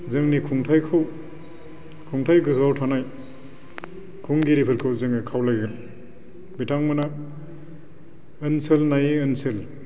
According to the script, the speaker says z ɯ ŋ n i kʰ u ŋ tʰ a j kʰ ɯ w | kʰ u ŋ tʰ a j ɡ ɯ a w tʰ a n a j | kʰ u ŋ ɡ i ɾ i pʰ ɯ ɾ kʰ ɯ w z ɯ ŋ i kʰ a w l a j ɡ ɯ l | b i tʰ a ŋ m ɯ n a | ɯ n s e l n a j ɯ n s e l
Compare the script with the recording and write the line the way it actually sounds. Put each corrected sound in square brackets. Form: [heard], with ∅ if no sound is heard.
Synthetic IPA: z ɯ ŋ n i kʰ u ŋ tʰ a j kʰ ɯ w | kʰ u ŋ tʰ a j ɡ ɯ a w tʰ a n a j | kʰ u ŋ ɡ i ɾ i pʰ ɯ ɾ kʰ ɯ w z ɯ ŋ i kʰ a w l a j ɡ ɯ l | b i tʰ a ŋ m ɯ n a | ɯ n s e l n a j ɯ n s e l